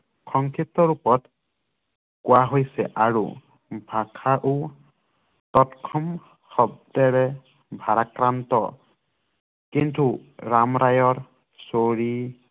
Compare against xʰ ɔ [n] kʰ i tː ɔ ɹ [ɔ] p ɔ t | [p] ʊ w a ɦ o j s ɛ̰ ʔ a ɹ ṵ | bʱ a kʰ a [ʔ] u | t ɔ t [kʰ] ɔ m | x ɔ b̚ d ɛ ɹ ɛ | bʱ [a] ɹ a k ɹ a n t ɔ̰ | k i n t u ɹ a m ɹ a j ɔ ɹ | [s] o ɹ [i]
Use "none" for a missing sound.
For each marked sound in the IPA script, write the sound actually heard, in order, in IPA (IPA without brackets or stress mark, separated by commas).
ŋ, u, k, ʔ, kʰ, a, s, i